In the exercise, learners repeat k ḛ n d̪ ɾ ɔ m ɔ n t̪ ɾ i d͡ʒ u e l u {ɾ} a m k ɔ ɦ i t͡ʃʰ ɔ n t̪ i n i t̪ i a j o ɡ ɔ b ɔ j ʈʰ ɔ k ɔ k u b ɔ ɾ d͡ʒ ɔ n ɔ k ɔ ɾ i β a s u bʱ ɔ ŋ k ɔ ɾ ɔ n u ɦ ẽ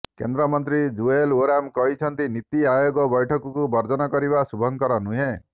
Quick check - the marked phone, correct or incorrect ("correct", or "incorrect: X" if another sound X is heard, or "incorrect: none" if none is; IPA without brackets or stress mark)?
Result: correct